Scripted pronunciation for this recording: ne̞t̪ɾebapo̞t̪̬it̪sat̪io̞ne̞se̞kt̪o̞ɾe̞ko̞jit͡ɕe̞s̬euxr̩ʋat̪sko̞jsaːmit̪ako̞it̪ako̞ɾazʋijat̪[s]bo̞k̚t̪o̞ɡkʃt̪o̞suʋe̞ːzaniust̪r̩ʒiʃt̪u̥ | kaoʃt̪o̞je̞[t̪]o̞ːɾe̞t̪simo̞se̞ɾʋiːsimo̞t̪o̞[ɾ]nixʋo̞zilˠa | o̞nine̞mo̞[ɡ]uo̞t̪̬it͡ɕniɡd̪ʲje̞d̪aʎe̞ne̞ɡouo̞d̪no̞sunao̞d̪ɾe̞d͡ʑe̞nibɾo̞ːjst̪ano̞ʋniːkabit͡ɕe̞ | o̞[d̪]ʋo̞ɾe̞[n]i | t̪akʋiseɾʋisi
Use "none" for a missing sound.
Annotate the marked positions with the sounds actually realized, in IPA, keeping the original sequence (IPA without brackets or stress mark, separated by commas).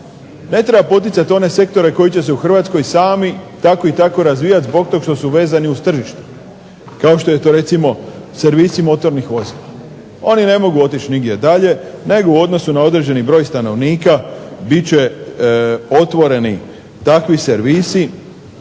z, t̪, ɾ, ɡ, t̪, n